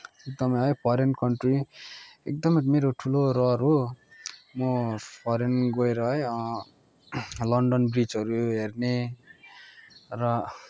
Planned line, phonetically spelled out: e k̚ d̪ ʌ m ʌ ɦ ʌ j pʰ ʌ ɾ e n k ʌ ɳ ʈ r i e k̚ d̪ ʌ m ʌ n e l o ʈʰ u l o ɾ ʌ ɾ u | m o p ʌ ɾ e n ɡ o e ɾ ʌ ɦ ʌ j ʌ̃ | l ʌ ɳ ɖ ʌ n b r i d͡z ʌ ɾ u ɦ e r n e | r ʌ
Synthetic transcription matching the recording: e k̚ d̪ ʌ m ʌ ɦ ʌ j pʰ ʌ ɾ e n k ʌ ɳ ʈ r i e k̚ d̪ ʌ m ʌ m e ɾ o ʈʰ u l o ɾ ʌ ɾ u | m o pʰ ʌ ɾ e n ɡ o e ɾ ʌ ɦ ʌ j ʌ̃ | l ʌ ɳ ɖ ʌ n b r i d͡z ʌ ɾ u ɦ e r n e | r ʌ